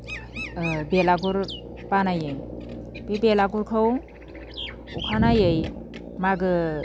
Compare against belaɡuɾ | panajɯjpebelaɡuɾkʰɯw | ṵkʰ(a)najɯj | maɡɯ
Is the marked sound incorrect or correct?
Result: correct